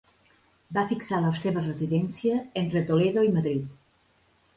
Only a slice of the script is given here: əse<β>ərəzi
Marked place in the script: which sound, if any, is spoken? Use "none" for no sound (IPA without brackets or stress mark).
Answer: β